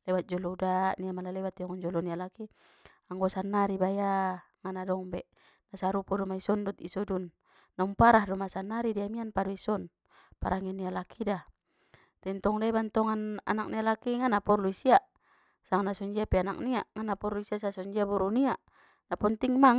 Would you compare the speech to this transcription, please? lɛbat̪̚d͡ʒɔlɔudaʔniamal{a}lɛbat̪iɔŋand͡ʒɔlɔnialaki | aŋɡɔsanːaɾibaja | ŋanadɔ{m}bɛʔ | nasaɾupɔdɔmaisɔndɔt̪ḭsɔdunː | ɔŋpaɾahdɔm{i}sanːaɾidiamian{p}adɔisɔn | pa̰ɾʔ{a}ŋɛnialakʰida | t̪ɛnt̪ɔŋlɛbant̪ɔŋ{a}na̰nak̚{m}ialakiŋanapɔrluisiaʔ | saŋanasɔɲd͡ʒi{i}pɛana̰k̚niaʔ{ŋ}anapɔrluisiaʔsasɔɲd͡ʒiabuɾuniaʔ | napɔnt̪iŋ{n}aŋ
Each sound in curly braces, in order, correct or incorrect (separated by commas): correct, incorrect, incorrect, correct, correct, correct, incorrect, incorrect, correct, incorrect